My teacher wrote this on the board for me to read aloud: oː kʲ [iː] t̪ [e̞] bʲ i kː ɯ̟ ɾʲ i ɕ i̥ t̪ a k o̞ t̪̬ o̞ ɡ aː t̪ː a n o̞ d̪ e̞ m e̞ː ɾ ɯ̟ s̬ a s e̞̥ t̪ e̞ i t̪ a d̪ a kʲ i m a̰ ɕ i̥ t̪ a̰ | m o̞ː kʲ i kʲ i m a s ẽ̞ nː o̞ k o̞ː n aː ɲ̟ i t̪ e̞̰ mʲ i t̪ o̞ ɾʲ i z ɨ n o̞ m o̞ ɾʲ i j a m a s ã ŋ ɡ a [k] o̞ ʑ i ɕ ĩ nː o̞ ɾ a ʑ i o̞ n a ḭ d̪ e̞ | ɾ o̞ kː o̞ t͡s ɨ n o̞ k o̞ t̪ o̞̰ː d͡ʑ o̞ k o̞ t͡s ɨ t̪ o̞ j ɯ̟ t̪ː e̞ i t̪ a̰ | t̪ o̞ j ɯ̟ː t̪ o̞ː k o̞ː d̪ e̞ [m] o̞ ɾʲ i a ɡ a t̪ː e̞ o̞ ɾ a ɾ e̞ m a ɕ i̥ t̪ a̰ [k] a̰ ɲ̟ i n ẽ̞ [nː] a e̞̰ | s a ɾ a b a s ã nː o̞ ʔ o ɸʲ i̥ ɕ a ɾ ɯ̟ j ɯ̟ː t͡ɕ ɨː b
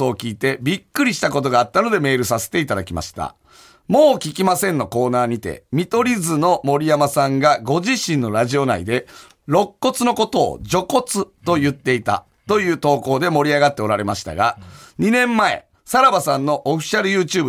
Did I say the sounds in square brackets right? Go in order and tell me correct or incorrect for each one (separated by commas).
correct, correct, incorrect, correct, incorrect, incorrect